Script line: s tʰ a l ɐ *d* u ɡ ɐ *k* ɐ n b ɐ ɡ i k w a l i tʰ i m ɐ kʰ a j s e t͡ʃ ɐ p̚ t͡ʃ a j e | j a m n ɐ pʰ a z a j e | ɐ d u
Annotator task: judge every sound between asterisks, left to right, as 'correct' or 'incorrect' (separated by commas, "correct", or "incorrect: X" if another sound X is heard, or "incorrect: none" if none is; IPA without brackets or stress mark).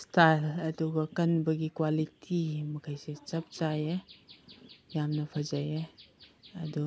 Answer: correct, correct